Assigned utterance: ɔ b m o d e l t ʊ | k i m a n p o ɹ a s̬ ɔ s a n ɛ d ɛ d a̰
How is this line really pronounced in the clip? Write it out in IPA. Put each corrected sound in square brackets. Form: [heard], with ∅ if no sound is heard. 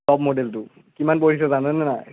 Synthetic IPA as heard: ɔ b m o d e l t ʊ | k i m a n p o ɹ [i] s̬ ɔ [z] a n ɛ [n] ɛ [n] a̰